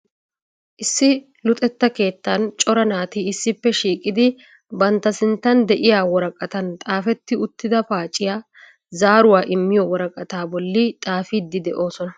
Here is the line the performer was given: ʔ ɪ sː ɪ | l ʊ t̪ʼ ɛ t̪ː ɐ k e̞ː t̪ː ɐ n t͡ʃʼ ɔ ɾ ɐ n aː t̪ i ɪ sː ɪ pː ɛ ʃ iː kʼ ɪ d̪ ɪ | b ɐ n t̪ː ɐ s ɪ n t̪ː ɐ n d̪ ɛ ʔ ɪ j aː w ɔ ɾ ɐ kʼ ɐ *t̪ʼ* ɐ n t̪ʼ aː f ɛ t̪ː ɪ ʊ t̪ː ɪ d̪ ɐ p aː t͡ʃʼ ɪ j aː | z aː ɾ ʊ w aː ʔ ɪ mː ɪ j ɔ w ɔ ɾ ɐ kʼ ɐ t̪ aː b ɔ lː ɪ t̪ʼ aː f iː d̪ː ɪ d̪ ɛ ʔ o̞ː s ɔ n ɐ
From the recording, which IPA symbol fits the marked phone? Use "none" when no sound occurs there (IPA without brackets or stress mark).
t̪